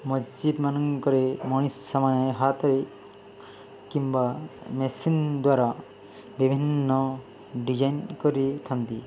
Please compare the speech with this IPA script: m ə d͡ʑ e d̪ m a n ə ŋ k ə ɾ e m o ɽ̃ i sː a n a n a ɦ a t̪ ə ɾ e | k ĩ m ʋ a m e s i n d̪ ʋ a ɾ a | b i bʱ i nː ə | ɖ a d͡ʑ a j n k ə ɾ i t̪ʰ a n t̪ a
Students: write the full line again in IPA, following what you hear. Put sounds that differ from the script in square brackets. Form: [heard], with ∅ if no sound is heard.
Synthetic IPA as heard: m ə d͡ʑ [i] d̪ m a n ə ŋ k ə ɾ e m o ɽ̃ i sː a [m] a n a ɦ a t̪ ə ɾ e | k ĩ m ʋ a m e s i n d̪ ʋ a ɾ a | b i bʱ i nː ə | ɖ [i] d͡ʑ a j n k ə ɾ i t̪ʰ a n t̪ [i]